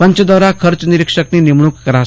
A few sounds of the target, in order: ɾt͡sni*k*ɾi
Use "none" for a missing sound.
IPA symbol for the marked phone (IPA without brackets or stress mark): none